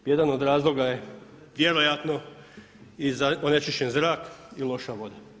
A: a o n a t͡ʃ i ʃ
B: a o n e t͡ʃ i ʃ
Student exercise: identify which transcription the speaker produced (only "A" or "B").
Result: B